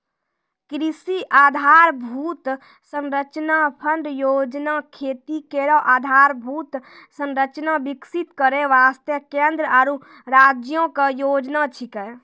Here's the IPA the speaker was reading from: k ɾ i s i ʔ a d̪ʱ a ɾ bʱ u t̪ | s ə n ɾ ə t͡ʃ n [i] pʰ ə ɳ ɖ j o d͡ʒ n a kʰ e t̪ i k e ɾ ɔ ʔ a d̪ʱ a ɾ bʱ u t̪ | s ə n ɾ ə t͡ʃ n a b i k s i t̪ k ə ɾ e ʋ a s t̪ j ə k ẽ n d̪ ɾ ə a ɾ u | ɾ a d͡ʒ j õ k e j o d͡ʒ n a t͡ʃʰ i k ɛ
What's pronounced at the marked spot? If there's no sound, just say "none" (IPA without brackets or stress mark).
a